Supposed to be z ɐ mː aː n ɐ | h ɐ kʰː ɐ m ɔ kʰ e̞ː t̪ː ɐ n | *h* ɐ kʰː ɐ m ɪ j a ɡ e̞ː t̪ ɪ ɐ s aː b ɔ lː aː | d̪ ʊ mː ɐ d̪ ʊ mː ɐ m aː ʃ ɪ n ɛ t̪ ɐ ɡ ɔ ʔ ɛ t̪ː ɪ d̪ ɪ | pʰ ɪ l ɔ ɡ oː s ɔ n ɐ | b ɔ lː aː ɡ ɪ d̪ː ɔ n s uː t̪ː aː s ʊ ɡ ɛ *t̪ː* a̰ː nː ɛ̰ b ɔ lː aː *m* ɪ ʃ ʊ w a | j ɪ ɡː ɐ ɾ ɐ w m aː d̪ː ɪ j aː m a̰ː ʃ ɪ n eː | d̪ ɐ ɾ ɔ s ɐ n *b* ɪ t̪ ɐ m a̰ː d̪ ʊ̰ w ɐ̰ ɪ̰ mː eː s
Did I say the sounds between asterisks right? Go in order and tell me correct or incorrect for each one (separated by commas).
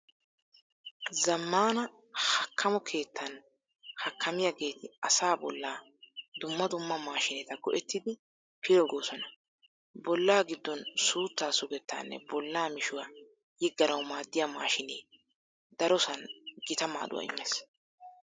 correct, correct, correct, incorrect